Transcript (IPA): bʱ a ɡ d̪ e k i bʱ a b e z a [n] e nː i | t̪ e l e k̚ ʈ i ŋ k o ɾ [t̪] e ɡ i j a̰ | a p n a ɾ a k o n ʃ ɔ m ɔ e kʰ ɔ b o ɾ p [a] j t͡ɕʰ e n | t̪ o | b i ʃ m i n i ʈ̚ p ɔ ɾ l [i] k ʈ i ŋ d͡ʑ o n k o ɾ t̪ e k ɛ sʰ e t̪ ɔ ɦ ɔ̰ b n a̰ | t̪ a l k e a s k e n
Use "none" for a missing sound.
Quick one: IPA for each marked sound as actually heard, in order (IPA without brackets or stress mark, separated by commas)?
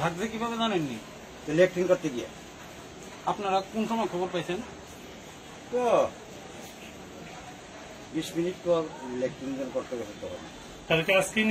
n, t̪, a, e